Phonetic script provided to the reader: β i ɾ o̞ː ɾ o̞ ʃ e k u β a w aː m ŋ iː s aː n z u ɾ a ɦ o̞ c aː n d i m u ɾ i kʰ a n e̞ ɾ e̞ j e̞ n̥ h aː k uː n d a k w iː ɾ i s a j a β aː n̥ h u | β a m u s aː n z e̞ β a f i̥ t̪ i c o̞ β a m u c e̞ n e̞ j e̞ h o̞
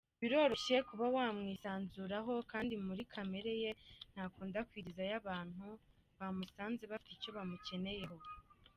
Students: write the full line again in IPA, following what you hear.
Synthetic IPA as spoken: β i ɾ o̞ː ɾ o̞ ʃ e k u β a w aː m ŋ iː s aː n z u ɾ a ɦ o̞ k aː n d i m u ɾ i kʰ a m e̞ ɾ e̞ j e̞ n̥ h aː k uː n d a k w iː ɾ i z a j a β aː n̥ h u | β a m u s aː n z e̞ β a f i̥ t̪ i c o̞ β a m u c e̞ n e̞ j e̞ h o̞